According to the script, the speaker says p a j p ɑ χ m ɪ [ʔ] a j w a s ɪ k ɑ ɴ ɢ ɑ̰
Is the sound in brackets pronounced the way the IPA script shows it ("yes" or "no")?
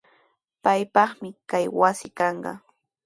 no